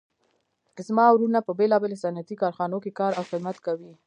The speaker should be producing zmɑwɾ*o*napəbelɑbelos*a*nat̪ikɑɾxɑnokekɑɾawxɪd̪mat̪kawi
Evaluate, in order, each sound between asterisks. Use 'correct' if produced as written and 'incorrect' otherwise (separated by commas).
incorrect, correct